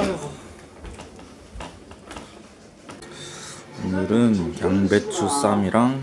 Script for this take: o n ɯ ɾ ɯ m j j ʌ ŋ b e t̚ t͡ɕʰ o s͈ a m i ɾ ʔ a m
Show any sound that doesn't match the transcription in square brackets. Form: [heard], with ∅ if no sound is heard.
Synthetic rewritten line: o n ɯ ɾ ɯ [n] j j [a] ŋ b e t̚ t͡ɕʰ [u] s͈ a m i ɾ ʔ a [ŋ]